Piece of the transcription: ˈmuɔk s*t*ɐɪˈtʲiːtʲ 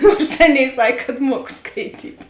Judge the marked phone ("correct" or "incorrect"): incorrect